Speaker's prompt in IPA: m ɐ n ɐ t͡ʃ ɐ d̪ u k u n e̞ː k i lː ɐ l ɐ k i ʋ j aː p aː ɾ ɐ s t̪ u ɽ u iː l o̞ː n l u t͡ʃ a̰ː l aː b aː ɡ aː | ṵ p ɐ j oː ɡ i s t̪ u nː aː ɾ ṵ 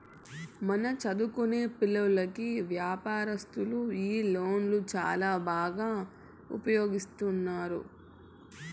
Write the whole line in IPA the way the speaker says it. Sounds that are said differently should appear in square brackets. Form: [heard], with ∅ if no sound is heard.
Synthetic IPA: m ɐ n ɐ t͡ʃ ɐ d̪ u k u n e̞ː [p] i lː ɐ l ɐ k i ʋ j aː p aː ɾ ɐ s t̪ u [l] u iː l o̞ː n l u t͡ʃ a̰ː l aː b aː ɡ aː | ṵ p ɐ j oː ɡ i s t̪ u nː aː ɾ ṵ